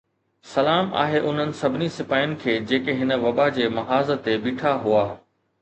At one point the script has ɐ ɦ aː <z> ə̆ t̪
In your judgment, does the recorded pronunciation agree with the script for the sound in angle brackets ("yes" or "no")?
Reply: yes